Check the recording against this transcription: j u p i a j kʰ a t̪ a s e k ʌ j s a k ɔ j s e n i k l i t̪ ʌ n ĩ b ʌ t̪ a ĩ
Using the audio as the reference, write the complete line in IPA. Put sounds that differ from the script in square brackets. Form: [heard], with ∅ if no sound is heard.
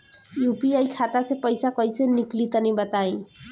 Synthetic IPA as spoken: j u p i a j kʰ a t̪ a s e [p] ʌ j s a k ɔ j s e n i k l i t̪ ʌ n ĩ b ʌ t̪ a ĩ

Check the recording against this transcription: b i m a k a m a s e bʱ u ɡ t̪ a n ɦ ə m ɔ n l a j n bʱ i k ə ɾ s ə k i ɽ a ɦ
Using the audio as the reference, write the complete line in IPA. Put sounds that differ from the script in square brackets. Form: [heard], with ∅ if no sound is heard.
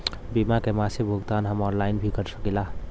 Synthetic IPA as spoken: b i m a k [e] m a s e bʱ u ɡ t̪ a n ɦ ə m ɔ n l a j n bʱ i k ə ɾ s ə k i [l] a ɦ

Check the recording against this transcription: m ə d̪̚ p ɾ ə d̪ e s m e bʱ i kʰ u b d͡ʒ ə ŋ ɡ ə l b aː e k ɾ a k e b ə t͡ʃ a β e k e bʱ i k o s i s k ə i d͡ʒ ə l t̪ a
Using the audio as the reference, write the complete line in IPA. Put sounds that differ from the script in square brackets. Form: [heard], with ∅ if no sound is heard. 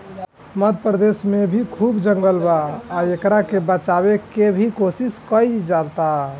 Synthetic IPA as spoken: m ə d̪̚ p ɾ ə d̪ e s m e bʱ i kʰ u b d͡ʒ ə ŋ ɡ ə l b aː e k ɾ a k e b ə t͡ʃ a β e k e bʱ i k o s i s k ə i d͡ʒ [a] l t̪ a

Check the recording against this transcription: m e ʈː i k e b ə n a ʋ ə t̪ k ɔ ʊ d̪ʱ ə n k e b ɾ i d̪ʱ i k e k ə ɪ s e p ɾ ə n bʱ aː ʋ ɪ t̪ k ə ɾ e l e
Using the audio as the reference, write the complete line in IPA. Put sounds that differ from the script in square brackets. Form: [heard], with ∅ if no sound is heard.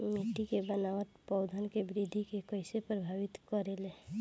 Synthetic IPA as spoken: m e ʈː i k e b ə n a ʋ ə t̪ [p] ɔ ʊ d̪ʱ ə n k e b ɾ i d̪ʱ i k e k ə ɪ s e p ɾ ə [∅] bʱ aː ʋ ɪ t̪ k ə ɾ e l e

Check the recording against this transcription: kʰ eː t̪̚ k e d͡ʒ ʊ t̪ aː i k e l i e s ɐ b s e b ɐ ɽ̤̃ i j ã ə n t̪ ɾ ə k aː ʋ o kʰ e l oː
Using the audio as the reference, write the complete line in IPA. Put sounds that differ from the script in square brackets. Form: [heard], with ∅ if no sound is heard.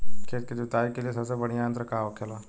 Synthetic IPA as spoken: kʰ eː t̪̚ k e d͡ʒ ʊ t̪ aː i k e l i e s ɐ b s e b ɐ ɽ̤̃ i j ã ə n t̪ ɾ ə k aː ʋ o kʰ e l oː

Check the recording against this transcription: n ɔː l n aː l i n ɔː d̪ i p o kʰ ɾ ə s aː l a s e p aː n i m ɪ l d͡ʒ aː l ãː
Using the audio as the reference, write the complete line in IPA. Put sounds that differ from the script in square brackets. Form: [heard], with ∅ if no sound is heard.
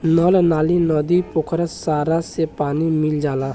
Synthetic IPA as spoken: n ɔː l n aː l i n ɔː d̪ i p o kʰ ɾ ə s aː [ɾ] a s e p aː n i m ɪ l d͡ʒ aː l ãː

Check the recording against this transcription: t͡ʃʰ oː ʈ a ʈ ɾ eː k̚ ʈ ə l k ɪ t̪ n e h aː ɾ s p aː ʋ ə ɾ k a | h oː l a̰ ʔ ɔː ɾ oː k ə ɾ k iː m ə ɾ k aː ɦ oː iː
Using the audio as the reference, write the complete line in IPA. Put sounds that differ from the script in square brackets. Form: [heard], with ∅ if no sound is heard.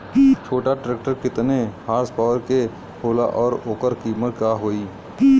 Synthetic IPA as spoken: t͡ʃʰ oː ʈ a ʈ ɾ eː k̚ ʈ ə [ɾ] k ɪ t̪ n e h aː ɾ s p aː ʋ ə ɾ k [e] | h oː l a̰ ʔ ɔː ɾ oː k ə ɾ k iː m ə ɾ k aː ɦ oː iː

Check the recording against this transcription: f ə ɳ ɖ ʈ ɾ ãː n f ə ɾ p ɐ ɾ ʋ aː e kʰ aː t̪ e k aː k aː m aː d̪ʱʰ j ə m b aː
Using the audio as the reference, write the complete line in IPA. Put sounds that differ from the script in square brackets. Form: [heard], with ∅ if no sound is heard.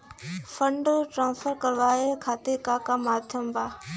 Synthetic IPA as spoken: f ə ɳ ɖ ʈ ɾ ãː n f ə ɾ [k] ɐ ɾ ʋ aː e kʰ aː t̪ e k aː k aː m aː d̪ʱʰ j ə m b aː

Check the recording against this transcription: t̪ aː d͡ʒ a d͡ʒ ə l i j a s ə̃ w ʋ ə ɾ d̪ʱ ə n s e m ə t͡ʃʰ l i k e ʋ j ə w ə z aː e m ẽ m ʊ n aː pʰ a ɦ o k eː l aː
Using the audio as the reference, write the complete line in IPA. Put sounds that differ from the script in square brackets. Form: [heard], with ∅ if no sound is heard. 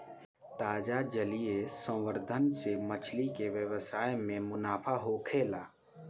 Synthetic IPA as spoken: t̪ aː d͡ʒ a d͡ʒ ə l i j [e] s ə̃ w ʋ ə ɾ d̪ʱ ə n s e m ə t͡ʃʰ l i k e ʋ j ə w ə [s] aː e m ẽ m ʊ n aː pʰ a ɦ o [kʰ] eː l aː

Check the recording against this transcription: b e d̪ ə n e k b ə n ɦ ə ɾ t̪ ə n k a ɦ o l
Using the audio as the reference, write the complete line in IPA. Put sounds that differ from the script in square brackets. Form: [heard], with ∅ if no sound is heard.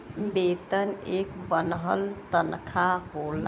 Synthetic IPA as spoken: b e [t̪] ə n e k b ə n ɦ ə [l] t̪ ə n [kʰ] a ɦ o l

